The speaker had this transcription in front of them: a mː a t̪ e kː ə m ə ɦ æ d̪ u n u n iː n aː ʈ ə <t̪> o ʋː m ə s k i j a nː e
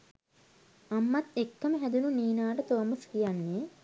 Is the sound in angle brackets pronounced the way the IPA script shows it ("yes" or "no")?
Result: yes